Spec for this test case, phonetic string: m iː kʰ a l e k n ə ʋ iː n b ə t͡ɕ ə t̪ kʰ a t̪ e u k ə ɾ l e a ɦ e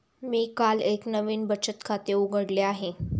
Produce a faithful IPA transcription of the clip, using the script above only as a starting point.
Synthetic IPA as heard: m iː k a l e k n ə ʋ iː n b ə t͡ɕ ə t̪ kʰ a t̪ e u ɡ ə ɽ l e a ɦ e